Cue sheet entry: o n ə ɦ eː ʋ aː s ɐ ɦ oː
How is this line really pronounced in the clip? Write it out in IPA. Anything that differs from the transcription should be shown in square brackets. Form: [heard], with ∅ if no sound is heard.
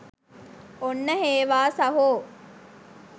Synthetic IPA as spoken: o [nː] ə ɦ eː ʋ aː s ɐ ɦ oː